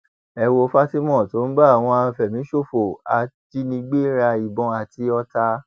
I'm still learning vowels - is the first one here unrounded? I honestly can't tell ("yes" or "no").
yes